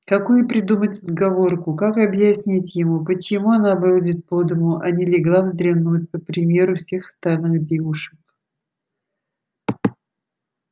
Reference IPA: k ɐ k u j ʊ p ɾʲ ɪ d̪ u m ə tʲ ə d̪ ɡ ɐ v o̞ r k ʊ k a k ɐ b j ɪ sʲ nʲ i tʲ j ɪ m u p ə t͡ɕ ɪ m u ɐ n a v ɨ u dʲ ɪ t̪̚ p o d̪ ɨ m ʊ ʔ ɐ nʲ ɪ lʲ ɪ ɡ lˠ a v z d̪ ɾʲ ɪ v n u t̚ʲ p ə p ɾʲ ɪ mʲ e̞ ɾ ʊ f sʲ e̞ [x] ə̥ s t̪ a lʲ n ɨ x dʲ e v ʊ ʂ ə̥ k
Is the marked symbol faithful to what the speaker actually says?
yes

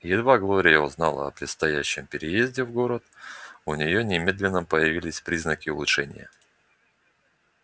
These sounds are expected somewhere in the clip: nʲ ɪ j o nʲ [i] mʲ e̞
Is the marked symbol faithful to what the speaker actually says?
no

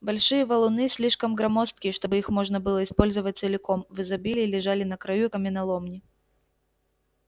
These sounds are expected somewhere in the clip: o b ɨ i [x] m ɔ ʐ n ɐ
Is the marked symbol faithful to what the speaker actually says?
yes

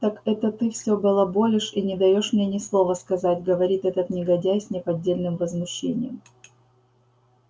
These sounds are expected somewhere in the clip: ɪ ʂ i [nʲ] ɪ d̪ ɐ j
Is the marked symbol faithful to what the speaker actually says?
yes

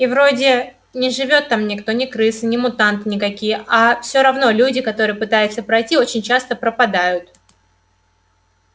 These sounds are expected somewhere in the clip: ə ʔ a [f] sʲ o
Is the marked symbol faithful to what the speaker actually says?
yes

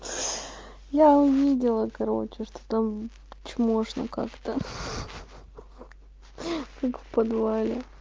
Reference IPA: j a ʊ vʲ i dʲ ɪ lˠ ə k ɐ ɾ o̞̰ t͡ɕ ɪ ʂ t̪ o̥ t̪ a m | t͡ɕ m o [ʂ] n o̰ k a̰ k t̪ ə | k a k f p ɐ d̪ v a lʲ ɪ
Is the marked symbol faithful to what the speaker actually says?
yes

